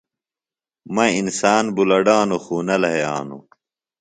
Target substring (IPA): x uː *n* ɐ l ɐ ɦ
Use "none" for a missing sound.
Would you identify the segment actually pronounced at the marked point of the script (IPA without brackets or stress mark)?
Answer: n